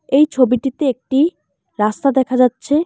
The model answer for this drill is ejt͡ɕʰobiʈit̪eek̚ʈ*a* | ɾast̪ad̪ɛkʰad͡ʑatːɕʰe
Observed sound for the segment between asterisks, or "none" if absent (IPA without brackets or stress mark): i